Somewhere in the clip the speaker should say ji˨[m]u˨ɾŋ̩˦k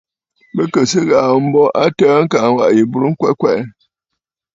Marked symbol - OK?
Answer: no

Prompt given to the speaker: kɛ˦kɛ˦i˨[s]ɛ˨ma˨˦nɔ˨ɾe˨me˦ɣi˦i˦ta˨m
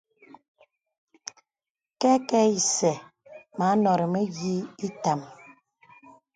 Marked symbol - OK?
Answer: yes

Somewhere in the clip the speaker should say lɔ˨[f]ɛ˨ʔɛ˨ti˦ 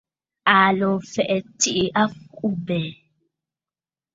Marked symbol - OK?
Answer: yes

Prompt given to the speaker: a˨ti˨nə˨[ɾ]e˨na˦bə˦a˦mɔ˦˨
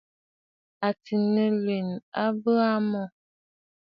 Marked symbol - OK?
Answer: no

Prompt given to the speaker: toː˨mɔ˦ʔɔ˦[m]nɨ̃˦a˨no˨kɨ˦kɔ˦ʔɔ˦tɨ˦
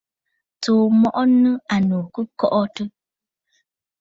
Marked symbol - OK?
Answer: no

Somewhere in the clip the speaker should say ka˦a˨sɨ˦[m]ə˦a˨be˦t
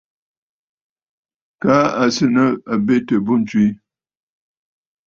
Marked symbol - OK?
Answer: no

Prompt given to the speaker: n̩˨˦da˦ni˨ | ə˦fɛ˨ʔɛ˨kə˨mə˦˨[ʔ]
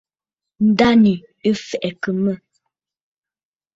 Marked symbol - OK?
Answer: no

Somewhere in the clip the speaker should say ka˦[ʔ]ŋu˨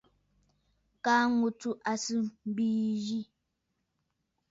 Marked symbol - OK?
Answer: no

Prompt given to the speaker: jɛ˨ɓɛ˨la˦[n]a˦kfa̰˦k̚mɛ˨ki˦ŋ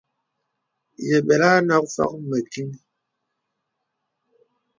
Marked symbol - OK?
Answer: yes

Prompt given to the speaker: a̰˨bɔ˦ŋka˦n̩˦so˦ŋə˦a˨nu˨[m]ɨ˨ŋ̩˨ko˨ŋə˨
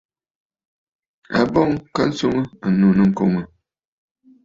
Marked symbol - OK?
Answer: no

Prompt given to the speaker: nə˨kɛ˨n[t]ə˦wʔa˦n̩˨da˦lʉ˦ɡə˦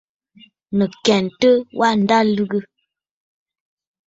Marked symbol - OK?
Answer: yes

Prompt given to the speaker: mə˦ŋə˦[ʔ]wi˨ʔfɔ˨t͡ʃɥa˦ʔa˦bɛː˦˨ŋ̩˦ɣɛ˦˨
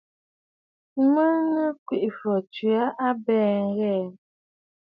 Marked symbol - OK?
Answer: no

